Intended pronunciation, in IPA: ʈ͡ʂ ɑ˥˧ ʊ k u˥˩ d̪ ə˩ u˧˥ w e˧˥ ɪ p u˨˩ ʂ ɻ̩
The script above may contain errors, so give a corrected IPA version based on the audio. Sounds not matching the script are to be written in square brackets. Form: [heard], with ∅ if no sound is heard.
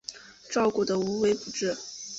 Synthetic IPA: ʈ͡ʂ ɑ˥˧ ʊ k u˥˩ d̪ ə˩ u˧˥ w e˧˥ ɪ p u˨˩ [ʈ͡ʂ] ɻ̩